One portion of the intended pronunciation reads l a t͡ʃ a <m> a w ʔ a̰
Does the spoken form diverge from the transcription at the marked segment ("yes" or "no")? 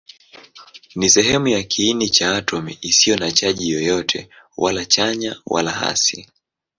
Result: yes